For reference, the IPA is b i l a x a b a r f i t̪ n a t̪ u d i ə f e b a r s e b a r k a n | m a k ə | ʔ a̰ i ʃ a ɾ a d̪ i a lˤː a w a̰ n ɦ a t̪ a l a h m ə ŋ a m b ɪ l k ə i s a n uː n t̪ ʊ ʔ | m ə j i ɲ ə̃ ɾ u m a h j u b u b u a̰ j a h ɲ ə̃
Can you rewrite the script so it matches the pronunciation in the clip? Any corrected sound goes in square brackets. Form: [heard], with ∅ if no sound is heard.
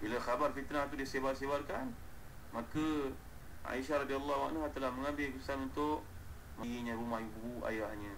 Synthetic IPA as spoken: b i l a x a b a r f i t̪ n a t̪ u d i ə [s] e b a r s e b a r k a n | m a k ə | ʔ a̰ i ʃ a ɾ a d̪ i a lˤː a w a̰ n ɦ a t̪ [ə] l a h m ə ŋ a m b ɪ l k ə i s a n [u] n t̪ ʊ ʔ | m ə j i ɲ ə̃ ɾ u m a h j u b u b u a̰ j a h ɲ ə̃